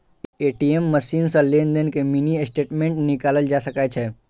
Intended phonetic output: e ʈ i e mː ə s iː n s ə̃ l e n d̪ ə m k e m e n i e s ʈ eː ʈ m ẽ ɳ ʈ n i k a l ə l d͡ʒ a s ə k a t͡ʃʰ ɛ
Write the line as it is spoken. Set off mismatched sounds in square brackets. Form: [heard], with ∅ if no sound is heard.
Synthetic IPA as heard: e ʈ i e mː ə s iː n s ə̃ l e n d̪ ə [n] k e m [i] n i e s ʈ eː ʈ m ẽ ɳ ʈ n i k a l ə l d͡ʒ a s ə k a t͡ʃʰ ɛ